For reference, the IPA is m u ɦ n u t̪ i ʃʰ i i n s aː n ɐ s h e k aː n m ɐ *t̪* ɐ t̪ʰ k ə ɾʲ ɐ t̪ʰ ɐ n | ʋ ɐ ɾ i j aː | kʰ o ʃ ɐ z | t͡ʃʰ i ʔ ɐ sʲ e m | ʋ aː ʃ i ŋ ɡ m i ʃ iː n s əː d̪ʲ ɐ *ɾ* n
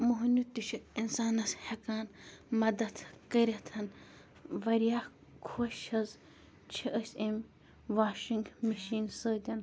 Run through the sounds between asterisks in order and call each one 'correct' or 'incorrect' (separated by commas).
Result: incorrect, incorrect